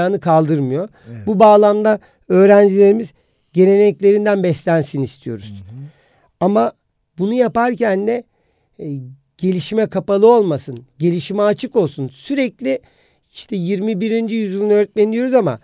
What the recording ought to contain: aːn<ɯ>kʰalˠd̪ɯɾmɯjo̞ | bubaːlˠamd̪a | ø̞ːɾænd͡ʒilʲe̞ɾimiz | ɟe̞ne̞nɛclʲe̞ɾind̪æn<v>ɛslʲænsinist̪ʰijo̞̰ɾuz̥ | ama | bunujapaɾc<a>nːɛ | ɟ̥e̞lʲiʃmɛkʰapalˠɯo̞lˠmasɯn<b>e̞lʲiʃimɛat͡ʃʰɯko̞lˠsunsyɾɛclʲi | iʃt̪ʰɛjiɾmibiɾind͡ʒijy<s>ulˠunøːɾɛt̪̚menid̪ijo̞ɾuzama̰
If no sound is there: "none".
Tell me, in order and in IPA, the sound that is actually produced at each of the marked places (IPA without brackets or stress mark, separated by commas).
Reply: ɯ, b, æ, ɟ, z